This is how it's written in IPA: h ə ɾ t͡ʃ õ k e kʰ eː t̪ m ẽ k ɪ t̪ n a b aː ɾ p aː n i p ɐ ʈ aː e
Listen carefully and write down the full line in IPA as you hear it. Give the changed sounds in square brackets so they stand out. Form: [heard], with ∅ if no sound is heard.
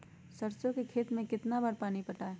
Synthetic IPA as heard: [s] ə ɾ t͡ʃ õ k e kʰ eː t̪ m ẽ k ɪ t̪ n a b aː ɾ p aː n i p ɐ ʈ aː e